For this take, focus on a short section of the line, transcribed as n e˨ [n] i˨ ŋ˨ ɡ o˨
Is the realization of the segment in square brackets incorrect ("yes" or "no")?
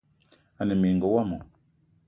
yes